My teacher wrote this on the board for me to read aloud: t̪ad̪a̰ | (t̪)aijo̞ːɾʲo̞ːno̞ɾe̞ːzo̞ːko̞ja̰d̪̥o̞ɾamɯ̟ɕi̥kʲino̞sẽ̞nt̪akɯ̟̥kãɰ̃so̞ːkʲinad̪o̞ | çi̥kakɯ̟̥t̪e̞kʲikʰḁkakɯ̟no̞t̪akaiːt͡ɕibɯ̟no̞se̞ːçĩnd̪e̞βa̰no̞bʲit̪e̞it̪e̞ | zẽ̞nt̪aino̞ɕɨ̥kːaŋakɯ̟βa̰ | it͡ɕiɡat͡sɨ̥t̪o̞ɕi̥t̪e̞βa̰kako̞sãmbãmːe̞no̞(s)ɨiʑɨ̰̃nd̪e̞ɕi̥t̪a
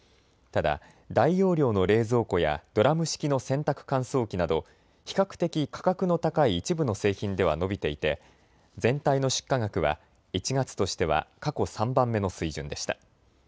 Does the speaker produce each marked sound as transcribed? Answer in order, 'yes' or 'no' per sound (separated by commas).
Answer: no, yes